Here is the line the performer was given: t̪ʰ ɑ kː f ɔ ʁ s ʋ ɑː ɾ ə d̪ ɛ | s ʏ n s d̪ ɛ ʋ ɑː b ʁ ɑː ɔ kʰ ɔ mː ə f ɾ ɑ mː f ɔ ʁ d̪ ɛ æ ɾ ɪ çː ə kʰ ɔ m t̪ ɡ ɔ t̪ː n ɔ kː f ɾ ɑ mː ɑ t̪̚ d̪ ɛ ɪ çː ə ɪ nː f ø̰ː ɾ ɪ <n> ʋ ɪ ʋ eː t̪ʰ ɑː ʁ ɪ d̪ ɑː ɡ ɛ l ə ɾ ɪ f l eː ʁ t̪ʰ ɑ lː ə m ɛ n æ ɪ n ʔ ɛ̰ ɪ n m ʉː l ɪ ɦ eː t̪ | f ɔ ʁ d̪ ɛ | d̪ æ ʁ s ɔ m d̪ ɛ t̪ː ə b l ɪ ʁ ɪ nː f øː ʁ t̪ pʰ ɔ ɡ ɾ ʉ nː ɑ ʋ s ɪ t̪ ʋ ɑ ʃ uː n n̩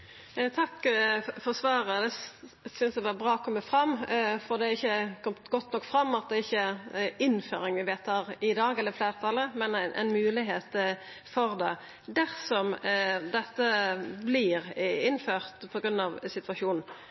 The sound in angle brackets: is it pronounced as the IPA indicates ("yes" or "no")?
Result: no